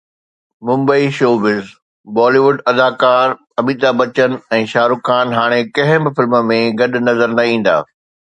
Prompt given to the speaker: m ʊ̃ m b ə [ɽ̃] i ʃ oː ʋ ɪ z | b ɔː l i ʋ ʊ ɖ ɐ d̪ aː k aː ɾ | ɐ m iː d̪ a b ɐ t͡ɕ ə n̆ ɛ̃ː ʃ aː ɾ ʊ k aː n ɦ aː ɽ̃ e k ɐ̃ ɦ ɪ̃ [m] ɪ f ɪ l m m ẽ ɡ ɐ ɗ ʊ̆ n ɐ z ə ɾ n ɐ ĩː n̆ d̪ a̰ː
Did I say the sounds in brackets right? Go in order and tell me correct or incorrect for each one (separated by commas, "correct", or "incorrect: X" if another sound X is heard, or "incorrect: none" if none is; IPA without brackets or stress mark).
incorrect: none, incorrect: b